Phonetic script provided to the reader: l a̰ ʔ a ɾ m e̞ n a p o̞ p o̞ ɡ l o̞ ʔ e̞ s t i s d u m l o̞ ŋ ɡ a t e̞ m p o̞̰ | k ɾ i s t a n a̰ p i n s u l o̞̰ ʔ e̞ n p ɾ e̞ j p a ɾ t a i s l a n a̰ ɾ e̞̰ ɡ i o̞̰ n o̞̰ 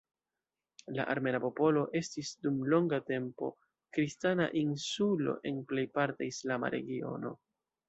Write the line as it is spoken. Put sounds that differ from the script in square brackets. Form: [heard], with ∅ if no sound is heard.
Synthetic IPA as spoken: l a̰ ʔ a ɾ m e̞ n a p o̞ p o̞ [∅] l o̞ ʔ e̞ s t i s d u m l o̞ ŋ ɡ a t e̞ m p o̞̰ | k ɾ i s t a n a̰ [ʔ] i n s u l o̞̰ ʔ e̞ n p [l] e̞ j p a ɾ t a i s l a [m] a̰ ɾ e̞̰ ɡ i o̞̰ n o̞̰